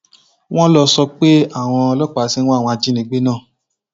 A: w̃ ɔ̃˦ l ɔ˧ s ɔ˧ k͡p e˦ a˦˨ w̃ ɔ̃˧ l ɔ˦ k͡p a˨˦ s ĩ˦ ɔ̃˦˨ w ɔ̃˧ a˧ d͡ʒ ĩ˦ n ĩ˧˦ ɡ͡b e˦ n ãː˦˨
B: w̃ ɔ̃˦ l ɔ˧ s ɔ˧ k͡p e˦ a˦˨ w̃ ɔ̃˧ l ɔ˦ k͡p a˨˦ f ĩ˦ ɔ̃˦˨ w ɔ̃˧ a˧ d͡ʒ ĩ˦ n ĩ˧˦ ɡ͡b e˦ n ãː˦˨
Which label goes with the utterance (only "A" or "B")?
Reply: A